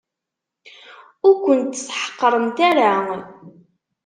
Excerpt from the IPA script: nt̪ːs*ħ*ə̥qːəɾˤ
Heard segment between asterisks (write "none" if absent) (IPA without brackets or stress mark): ħ